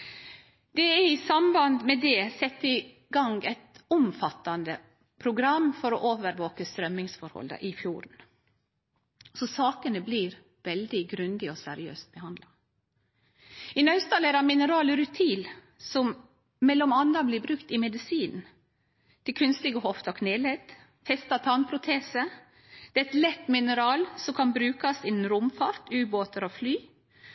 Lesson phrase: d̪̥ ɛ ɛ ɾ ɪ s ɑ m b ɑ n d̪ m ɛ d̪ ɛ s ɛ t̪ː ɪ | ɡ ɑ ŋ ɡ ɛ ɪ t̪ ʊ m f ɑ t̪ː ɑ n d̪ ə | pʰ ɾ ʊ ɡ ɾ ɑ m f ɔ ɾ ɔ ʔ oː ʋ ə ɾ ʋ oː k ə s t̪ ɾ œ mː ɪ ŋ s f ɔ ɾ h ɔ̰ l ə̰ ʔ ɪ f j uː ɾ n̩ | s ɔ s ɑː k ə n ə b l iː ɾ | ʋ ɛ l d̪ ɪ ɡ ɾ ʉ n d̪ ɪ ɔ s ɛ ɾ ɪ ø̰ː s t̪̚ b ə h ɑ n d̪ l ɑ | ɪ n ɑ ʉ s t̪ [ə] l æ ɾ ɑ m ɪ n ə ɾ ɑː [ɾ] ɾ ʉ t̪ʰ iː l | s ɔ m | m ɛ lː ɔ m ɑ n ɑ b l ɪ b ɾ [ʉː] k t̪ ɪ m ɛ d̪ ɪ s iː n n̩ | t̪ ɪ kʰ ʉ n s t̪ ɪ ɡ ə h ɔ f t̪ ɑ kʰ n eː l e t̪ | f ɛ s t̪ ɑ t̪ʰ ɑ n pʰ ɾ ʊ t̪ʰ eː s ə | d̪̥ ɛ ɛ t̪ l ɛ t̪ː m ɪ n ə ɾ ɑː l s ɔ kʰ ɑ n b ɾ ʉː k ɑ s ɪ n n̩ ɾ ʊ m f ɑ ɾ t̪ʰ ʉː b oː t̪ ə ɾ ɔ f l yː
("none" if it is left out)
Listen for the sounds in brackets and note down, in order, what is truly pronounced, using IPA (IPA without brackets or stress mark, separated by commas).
ɑ, l, ʉ